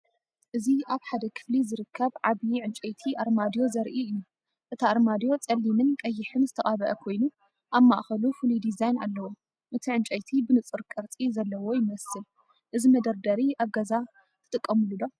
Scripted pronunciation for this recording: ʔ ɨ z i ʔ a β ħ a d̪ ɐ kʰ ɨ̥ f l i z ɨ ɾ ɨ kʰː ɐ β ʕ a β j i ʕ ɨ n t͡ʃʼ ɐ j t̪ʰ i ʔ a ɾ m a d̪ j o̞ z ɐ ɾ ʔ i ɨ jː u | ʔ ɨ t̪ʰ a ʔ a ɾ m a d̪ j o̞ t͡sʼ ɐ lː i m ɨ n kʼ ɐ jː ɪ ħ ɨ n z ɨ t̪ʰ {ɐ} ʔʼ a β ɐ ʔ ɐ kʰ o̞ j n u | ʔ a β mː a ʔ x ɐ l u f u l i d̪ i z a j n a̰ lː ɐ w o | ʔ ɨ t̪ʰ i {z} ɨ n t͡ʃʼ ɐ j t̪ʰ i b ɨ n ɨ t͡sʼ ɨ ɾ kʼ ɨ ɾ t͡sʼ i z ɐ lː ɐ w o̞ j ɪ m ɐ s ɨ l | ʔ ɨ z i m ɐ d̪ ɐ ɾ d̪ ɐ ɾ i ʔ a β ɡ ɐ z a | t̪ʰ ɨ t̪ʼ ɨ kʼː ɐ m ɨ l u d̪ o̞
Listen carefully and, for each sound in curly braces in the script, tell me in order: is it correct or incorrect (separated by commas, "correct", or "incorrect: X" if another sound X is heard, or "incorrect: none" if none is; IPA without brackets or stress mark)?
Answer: correct, incorrect: ʕ